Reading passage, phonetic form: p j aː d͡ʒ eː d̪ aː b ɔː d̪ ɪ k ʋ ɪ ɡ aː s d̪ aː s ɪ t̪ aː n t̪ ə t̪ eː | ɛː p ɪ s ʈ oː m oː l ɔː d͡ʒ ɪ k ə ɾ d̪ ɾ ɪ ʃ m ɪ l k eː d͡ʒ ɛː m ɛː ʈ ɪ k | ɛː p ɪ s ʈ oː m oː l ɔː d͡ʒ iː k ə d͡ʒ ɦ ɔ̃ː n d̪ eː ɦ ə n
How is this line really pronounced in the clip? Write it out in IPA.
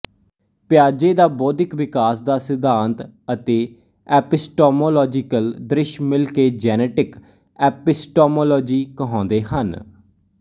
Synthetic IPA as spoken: p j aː d͡ʒ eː d̪ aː b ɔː d̪ ɪ k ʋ ɪ k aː s d̪ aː s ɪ d̪ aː n t̪ ə t̪ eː | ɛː p ɪ s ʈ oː m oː l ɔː d͡ʒ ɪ k ə l d̪ ɾ ɪ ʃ m ɪ l k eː d͡ʒ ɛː n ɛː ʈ ɪ k | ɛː p ɪ s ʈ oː m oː l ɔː d͡ʒ iː k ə ɦ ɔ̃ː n d̪ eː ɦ ə n